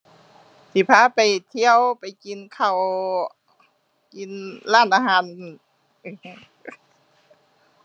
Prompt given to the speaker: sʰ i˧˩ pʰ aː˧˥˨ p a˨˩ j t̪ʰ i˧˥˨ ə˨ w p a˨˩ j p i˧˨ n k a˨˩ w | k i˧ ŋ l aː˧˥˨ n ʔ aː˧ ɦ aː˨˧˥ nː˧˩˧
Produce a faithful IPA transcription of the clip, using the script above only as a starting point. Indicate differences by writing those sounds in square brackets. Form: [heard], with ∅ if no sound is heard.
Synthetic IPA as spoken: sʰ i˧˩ pʰ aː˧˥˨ p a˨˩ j t̪ʰ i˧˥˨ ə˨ w p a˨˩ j [k] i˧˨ n [kʰ] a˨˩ w | k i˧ [n] l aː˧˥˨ n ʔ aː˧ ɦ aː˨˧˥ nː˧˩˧

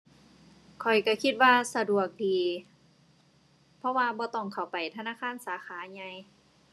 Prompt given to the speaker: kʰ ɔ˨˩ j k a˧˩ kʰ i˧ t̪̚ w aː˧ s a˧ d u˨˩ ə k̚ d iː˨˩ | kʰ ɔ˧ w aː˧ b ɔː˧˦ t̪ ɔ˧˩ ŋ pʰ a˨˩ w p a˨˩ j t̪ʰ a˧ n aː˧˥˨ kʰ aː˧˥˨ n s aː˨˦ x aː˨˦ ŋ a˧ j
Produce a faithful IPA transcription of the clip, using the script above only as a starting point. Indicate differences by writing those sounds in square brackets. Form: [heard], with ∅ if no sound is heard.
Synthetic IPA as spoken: kʰ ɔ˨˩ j k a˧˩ kʰ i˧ t̪̚ w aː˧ s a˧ d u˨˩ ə k̚ d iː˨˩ | [pʰ] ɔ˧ w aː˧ b ɔː˧˦ t̪ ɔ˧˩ ŋ [kʰ] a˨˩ w p a˨˩ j t̪ʰ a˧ n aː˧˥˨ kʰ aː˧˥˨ n s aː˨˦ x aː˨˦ [ɲ] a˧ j

